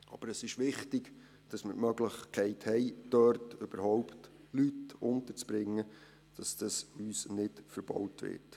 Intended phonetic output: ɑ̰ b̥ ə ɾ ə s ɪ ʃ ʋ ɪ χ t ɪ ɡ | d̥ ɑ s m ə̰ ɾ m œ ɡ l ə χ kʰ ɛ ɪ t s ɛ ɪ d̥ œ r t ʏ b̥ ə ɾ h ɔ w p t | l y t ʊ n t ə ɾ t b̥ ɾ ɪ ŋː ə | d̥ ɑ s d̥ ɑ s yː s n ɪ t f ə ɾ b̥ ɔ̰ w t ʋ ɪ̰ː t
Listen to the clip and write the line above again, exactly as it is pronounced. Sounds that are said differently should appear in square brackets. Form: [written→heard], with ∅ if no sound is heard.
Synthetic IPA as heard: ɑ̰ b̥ ə ɾ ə s ɪ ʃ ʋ ɪ χ t ɪ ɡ | d̥ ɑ s m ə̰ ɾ m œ ɡ l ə χ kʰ ɛ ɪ t [s→h] ɛ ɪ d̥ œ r t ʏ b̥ ə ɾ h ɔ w p t | l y t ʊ n t ə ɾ [t→t͡s] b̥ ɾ ɪ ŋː ə | d̥ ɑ s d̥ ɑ s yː s n ɪ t f ə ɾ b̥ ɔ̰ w t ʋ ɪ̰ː t

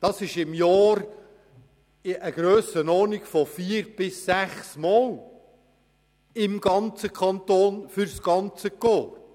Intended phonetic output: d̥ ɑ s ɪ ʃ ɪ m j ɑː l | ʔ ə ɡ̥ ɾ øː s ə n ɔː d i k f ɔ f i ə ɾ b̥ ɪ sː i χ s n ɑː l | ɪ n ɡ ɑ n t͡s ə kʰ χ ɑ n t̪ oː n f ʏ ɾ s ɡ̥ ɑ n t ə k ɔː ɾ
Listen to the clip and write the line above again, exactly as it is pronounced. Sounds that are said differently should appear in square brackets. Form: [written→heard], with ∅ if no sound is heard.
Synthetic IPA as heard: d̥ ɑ s ɪ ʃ ɪ m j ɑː [l→ɾ] | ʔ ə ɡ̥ ɾ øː s ə n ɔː [d→n] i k f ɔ f i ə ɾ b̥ ɪ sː [i→æ] χ s [n→m] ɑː l | ɪ [n→m] ɡ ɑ n t͡s ə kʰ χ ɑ n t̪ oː n f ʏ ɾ s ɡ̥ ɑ n [t→t͡s] ə k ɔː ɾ

